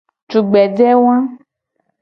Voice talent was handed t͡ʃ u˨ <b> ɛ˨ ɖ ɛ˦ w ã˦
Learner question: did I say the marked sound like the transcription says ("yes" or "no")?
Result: no